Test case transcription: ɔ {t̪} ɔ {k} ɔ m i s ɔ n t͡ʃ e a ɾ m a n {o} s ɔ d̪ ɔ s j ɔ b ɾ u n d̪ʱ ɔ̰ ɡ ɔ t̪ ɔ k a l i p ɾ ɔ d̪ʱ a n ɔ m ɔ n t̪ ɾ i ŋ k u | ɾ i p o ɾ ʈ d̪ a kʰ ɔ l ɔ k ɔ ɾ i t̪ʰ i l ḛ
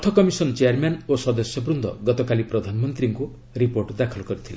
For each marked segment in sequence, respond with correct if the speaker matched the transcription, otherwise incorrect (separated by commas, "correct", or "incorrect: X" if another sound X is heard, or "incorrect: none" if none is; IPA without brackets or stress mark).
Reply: incorrect: t̪ʰ, correct, correct